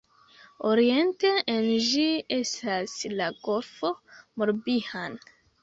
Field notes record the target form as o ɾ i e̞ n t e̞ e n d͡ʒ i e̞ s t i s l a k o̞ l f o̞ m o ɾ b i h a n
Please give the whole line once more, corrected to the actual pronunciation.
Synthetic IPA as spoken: o ɾ i e̞ n t e̞ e n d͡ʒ i e̞ s t a s l a ɡ o̞ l f o̞ m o ɾ b i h a n